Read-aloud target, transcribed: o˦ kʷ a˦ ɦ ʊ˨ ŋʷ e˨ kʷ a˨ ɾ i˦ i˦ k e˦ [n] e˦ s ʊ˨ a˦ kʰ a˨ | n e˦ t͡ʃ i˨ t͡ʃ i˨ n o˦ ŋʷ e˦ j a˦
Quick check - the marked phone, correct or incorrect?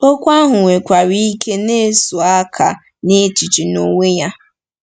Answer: correct